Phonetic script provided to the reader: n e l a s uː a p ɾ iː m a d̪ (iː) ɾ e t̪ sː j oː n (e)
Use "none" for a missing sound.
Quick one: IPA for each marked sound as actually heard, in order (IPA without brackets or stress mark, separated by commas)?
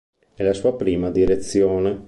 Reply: i, e